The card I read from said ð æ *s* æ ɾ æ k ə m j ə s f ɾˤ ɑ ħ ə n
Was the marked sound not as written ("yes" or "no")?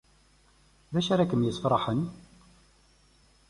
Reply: yes